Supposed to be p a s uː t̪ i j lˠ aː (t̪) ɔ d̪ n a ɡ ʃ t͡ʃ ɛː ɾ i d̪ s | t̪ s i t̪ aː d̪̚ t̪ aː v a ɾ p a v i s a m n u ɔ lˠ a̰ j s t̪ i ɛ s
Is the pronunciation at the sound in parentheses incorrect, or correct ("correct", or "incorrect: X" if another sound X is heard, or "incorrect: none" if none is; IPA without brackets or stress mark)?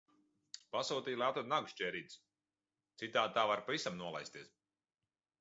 correct